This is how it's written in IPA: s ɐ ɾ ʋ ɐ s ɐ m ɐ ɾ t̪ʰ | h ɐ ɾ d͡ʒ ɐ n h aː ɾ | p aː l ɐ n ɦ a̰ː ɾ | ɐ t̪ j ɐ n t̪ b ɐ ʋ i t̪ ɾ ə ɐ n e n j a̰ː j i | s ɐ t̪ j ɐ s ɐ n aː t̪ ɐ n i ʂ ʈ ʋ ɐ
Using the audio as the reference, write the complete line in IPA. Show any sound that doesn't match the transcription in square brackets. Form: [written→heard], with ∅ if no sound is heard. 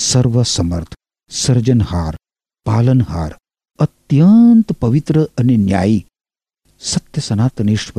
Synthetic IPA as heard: s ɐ ɾ ʋ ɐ s ɐ m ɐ ɾ t̪ʰ | [h→s] ɐ ɾ d͡ʒ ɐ n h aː ɾ | p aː l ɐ n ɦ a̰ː ɾ | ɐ t̪ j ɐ n t̪ [b→p] ɐ ʋ i t̪ ɾ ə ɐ n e n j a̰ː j i | s ɐ t̪ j ɐ s ɐ n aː t̪ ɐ n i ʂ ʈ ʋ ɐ